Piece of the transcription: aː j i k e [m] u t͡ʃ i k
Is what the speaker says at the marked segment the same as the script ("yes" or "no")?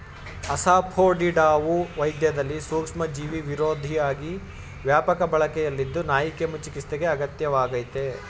yes